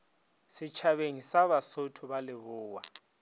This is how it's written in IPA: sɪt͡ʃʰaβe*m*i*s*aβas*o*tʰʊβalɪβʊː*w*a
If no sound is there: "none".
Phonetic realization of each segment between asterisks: ŋ, s, o, w

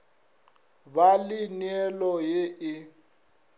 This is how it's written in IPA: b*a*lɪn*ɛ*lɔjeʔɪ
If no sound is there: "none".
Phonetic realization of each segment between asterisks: a, ɛ

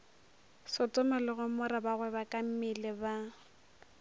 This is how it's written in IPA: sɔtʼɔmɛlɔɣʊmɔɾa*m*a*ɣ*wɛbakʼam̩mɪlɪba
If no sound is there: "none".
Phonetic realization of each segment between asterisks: b, ɣ

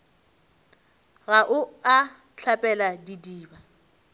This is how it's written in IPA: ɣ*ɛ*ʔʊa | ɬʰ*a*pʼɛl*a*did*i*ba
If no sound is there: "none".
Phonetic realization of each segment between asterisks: a, a, a, iː

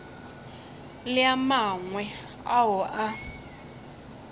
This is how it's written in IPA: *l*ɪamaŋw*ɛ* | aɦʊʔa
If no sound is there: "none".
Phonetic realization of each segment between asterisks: l, ɛ

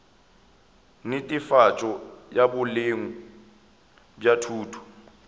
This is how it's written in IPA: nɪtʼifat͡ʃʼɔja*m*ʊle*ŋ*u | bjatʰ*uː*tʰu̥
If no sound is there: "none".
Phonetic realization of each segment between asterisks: b, ŋ, uː

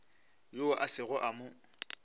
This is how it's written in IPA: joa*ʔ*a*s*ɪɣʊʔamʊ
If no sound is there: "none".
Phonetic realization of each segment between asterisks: ʔ, s

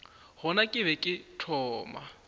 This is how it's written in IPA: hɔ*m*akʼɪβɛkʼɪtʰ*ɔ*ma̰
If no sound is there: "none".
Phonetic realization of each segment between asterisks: n, ɔː

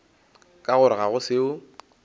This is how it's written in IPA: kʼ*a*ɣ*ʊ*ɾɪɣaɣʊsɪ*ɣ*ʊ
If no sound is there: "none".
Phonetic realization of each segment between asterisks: a, ʊ, none

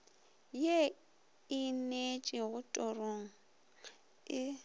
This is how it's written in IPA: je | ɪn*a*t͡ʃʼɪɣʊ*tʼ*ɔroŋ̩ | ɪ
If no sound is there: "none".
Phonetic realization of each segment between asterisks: e, tʼ

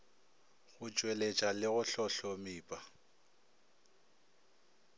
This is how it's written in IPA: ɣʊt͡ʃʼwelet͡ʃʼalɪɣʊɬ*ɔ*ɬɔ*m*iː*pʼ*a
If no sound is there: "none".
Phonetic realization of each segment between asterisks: ɔ, m, pʼ

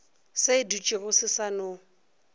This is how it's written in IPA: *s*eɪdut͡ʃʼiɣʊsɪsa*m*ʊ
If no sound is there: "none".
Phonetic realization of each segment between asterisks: s, n

